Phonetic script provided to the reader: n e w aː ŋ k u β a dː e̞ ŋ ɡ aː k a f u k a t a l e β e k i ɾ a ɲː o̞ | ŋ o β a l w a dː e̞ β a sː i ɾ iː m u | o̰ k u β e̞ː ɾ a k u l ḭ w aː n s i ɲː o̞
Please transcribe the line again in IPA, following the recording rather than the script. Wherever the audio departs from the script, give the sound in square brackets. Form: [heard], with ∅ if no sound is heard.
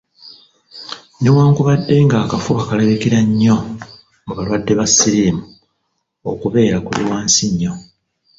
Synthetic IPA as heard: n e w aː ŋ k u β a dː e̞ ŋ ɡ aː k a f u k a [k] a l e β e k i ɾ a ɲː o̞ | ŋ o β a l w a dː e̞ β a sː i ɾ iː m u | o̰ k u β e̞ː ɾ a k u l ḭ w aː n s i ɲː o̞